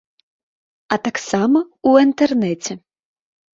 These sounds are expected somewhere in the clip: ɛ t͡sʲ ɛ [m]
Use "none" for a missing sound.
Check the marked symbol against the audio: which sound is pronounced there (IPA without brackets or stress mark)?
none